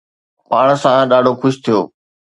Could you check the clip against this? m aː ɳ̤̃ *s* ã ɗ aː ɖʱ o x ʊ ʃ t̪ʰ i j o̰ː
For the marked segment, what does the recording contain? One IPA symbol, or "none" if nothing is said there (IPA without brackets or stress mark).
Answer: s